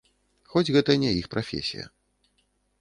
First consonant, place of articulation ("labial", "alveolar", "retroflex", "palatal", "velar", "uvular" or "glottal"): velar